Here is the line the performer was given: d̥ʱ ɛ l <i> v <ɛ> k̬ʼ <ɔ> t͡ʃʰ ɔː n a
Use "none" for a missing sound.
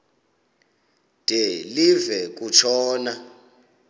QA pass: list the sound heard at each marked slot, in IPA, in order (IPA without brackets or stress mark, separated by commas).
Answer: i, ɛ, u